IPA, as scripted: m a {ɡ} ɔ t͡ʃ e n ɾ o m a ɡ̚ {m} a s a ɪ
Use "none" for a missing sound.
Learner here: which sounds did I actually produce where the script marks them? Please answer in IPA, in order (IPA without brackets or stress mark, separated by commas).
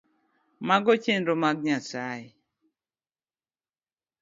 ɡ, ɲ